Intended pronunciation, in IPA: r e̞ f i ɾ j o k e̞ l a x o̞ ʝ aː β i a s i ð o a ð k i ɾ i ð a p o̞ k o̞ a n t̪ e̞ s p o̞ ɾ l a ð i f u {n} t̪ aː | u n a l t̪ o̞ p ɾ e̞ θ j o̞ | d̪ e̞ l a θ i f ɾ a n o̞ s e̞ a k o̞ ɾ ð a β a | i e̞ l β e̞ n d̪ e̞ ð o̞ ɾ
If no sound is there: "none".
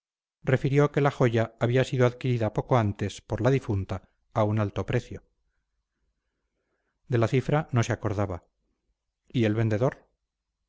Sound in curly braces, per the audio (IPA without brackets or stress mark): n